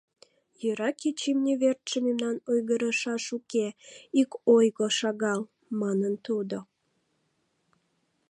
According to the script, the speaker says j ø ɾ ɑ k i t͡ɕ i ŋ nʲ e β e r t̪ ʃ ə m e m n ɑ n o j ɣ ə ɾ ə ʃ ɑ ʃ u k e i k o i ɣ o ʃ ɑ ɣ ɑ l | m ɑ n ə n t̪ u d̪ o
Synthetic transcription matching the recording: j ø ɾ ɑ k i t͡ɕ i m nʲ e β e r t̪ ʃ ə m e m n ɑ n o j ɣ ə ɾ ə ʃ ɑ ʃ u k e i k o j ɣ o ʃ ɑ ɣ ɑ l | m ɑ n ə n t̪ u d̪ o